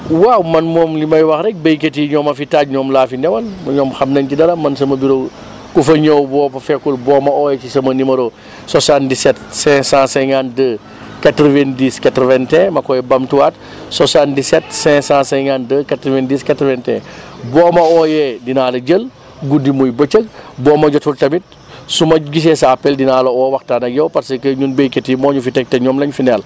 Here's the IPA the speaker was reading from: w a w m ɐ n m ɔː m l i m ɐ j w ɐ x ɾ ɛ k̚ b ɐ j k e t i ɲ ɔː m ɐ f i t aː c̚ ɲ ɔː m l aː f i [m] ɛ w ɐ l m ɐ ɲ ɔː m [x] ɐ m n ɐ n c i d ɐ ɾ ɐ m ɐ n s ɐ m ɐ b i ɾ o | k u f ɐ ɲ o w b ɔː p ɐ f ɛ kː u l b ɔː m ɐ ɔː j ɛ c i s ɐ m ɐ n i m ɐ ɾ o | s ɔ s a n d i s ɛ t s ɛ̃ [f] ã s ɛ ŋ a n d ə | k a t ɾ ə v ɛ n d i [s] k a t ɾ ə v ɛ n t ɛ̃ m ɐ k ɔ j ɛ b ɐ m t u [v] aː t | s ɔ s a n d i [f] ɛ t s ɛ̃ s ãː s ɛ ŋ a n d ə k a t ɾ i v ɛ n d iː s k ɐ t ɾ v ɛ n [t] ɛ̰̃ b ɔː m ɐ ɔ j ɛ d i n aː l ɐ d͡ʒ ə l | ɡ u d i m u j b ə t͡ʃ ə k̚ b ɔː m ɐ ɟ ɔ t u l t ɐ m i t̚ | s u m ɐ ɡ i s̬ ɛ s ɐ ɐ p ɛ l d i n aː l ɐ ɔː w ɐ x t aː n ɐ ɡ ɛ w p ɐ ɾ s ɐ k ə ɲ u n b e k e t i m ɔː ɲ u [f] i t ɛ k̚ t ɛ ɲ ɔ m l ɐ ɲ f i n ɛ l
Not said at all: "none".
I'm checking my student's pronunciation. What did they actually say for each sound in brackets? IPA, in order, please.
n, x, s, s, w, s, t, f

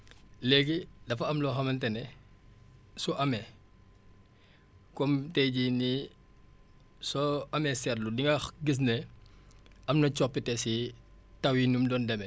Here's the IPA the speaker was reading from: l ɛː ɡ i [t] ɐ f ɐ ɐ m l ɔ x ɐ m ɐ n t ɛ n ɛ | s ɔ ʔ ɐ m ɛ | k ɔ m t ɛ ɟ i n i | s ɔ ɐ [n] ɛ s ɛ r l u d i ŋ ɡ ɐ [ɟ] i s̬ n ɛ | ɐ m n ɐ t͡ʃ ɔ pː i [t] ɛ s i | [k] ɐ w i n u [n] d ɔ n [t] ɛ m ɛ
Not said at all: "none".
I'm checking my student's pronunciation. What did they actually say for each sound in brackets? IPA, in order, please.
d, m, ɡ, t, t, m, d

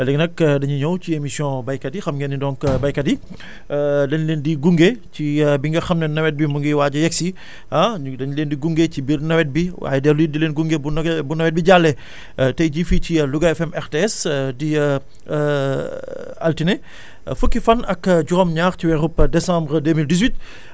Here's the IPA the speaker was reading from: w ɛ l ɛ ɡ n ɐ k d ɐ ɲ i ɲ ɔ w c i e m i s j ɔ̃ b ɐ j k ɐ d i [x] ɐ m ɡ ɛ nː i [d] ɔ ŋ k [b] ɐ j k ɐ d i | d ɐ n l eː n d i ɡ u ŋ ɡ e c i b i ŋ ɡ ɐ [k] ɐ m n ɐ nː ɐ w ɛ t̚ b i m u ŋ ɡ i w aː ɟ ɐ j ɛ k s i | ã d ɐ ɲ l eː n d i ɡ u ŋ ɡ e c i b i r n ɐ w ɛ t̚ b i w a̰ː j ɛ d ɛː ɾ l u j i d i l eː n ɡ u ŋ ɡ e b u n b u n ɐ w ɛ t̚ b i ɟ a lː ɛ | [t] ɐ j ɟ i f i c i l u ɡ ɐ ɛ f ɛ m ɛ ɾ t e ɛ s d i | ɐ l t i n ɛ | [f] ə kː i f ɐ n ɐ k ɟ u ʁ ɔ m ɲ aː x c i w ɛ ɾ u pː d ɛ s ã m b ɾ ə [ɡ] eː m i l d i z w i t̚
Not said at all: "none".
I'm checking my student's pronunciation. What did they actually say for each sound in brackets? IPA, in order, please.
x, d, b, x, t, f, d

